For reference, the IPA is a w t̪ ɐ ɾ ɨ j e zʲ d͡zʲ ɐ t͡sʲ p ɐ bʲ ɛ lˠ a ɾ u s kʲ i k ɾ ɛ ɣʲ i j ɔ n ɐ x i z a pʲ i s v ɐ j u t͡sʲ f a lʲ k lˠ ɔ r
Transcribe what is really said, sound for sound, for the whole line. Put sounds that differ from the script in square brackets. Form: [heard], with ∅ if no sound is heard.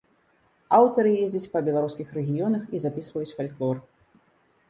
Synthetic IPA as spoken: a w t̪ ɐ ɾ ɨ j e zʲ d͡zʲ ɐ t͡sʲ p ɐ bʲ ɛ lˠ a ɾ u s kʲ i [x] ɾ ɛ ɣʲ i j ɔ n ɐ x i z a pʲ i s v ɐ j u t͡sʲ f a lʲ k lˠ ɔ r